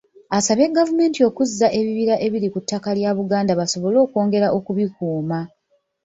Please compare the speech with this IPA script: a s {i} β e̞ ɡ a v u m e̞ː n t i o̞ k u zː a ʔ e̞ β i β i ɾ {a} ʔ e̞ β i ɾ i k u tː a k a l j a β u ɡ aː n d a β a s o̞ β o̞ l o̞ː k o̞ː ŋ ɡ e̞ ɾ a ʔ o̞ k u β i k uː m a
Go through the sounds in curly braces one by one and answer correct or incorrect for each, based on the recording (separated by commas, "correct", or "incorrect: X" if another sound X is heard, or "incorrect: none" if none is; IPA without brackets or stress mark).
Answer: incorrect: a, correct